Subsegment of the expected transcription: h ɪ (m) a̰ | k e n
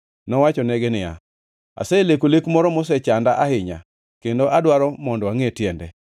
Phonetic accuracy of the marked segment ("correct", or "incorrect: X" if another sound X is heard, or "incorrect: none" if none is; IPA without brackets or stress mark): incorrect: ɲ